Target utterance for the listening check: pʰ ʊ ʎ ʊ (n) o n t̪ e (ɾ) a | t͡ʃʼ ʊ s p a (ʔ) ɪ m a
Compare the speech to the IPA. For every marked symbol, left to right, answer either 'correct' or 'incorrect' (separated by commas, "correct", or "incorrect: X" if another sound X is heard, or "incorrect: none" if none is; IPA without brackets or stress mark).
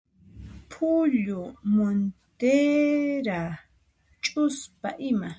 incorrect: m, correct, correct